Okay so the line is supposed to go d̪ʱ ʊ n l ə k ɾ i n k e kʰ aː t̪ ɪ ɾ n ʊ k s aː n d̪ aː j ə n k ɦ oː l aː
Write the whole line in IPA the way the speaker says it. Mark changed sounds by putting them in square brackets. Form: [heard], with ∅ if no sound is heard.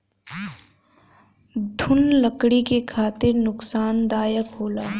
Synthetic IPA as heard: d̪ʱ ʊ n l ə k [ɽ] i [∅] k e kʰ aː t̪ ɪ ɾ n ʊ k s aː n d̪ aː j ə [∅] k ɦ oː l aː

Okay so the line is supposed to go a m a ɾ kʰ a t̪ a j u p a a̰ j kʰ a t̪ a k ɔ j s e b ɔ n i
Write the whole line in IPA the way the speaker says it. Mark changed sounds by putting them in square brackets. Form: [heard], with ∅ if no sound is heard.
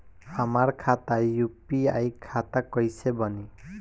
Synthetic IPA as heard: a m a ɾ kʰ a t̪ a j u p [i] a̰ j kʰ a t̪ a k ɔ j s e b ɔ n i

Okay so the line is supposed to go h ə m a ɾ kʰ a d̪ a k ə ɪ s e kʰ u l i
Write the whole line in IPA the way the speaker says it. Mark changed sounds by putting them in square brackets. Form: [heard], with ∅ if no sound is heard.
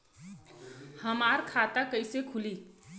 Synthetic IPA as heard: h ə m a ɾ kʰ a [t̪] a k ə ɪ s e kʰ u l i

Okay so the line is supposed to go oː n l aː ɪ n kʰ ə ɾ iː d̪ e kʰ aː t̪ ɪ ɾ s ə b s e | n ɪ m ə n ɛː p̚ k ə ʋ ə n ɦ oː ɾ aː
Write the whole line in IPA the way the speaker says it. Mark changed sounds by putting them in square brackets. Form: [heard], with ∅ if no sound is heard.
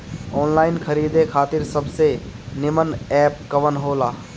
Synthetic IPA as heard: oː n l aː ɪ n kʰ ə ɾ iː d̪ e kʰ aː t̪ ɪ ɾ s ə b s e | n ɪ m ə n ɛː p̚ k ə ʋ ə n ɦ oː [l] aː

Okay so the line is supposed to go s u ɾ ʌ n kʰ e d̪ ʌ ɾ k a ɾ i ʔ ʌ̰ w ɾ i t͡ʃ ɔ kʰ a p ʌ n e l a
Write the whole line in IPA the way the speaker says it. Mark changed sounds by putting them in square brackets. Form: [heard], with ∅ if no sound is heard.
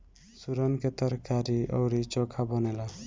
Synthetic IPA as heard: s u ɾ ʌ n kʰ e [t̪] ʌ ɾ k a ɾ i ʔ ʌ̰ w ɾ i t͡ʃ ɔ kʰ a [b] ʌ n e l a

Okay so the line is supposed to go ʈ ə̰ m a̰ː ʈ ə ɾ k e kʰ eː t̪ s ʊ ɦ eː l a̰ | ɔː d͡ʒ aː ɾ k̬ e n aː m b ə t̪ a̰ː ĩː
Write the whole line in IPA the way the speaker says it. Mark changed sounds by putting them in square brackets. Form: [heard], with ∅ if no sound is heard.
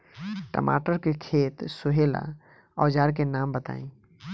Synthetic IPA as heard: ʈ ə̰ m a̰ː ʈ ə ɾ k e kʰ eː t̪ s ʊ ɦ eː l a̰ | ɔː d͡ʒ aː ɾ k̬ e n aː m b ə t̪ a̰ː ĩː

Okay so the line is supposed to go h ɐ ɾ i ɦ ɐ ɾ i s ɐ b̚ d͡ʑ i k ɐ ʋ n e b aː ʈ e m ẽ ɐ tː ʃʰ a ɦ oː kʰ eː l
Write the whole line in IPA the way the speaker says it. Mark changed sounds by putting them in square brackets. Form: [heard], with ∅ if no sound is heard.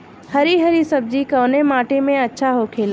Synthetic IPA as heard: h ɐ ɾ i ɦ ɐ ɾ i s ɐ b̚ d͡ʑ i k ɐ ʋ n e [m] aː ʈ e m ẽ ɐ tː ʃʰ a ɦ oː kʰ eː l

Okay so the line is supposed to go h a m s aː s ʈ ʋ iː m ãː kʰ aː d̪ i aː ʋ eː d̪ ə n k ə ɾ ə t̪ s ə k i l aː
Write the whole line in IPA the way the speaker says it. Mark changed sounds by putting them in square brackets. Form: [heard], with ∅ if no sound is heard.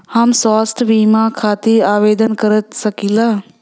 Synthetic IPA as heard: h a m s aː s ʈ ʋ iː m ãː kʰ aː [t̪] i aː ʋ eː d̪ ə n k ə ɾ ə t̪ s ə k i l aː

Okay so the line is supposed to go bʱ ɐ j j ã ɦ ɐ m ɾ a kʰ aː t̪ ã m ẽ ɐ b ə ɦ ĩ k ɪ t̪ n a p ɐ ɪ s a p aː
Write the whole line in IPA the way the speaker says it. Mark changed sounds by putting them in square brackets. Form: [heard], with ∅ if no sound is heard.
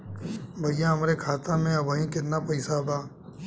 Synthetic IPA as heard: bʱ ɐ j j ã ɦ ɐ m ɾ [e] kʰ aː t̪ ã m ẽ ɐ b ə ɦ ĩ k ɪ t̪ n a p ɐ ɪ s a [b] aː

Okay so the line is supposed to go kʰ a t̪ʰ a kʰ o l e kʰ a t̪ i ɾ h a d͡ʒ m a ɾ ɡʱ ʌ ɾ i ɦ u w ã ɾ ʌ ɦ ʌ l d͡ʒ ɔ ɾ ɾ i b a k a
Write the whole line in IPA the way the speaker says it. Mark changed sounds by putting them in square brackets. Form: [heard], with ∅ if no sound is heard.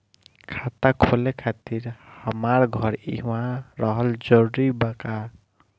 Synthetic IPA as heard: kʰ a [t̪] a kʰ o l e kʰ a t̪ i ɾ h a [∅] m a ɾ ɡʱ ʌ ɾ i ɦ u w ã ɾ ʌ ɦ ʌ l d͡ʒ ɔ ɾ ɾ i b a k a

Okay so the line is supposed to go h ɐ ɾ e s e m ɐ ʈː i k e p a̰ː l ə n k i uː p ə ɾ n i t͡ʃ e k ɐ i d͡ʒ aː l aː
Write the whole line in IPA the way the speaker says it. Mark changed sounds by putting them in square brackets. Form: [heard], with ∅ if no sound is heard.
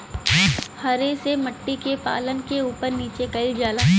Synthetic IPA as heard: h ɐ ɾ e s e m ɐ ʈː i k e p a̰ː l ə n k [e] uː p ə ɾ n [iː] t͡ʃ e k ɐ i d͡ʒ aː l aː

